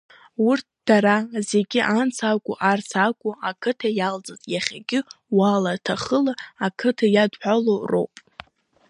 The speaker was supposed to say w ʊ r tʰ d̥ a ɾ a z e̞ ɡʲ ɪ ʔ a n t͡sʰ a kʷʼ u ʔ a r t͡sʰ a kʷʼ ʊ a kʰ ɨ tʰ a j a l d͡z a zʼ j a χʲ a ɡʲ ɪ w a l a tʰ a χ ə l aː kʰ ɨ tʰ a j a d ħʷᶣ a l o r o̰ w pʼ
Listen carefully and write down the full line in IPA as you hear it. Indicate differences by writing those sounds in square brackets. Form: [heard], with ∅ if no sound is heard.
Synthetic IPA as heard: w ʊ r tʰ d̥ a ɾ a z e̞ ɡʲ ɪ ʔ a n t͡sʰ a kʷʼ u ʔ a r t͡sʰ a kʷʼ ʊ a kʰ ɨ tʰ a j a l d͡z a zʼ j a χʲ a ɡʲ ɪ w a l a tʰ a χ ə l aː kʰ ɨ tʰ a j a d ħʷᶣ a l o r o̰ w pʼ